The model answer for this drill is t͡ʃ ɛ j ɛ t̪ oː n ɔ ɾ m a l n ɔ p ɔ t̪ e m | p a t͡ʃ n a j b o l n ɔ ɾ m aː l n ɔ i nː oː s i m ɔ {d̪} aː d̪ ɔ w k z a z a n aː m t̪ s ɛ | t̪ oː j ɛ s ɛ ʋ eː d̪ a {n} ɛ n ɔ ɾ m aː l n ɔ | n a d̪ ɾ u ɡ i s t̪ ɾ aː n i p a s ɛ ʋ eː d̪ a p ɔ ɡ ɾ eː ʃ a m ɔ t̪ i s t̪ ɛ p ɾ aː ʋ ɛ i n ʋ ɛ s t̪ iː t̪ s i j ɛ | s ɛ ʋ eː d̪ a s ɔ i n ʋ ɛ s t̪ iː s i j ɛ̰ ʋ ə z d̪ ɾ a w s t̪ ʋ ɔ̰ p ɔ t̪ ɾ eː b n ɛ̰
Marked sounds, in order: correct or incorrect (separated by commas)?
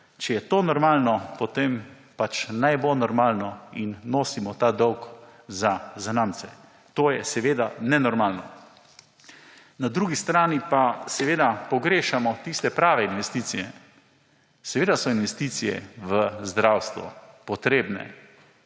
incorrect, correct